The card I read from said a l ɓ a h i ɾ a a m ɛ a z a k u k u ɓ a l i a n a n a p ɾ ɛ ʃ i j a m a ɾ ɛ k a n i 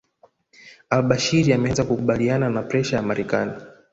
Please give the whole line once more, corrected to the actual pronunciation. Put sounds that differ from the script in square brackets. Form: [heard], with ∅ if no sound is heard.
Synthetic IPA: a l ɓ a [ʃ] i ɾ [i] a m ɛ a z a k u k u ɓ a l i a n a n a p ɾ ɛ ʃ [a] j a m a ɾ ɛ k a n i